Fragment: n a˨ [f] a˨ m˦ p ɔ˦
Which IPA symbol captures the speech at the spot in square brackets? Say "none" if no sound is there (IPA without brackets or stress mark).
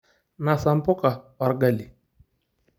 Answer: s